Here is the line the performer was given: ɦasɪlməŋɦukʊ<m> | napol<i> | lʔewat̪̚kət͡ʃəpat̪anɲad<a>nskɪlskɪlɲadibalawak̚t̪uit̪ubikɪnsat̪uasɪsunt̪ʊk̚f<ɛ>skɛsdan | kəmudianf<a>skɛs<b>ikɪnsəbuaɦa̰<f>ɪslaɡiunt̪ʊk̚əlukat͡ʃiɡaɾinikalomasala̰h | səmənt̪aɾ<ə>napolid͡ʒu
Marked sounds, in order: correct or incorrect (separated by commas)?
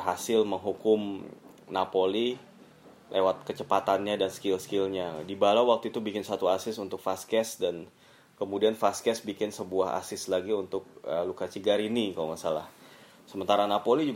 correct, correct, correct, incorrect, correct, correct, incorrect, incorrect